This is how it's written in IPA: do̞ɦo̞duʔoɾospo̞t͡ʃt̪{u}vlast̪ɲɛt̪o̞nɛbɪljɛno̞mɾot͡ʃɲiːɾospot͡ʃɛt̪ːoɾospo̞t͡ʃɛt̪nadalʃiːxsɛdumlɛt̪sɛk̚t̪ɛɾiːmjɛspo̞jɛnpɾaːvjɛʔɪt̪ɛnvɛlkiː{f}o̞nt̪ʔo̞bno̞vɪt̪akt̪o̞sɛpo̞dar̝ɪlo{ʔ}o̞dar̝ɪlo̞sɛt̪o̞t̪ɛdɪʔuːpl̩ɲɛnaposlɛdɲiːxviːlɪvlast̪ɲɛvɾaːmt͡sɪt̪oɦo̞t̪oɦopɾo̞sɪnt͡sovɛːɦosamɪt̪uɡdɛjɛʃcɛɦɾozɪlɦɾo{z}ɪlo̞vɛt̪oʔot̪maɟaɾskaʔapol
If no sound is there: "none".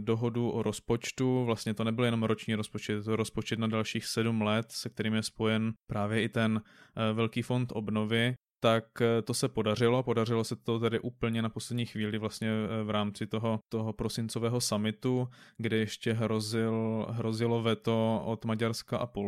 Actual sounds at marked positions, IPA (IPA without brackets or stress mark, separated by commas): u, f, p, z